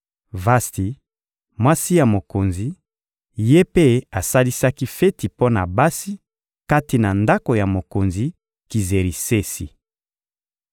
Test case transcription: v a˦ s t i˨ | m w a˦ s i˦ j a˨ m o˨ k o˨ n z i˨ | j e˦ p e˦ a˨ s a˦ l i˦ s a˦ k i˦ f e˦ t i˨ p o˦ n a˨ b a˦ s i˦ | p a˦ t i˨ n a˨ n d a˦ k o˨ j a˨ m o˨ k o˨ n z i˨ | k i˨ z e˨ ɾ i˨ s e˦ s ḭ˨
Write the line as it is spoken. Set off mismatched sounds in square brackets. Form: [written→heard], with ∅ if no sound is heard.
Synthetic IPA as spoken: v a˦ s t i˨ | m w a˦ s i˦ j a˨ m o˨ k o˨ n z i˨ | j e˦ p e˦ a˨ s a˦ l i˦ s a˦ k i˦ f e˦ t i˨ p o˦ n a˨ b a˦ s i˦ | [p→k] a˦ t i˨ n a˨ n d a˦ k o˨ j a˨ m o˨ k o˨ n z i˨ | k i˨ z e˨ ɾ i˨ s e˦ s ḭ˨